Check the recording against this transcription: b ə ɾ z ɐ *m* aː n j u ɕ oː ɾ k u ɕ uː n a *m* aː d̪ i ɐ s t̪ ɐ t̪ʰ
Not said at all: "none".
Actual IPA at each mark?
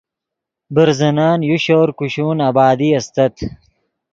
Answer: n, b

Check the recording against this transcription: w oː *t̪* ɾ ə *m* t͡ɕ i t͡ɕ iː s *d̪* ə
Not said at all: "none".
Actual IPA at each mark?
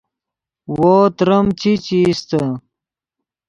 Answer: t̪, m, t̪

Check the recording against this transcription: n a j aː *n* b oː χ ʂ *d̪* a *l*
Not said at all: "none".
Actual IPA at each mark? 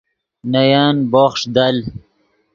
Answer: n, d̪, l

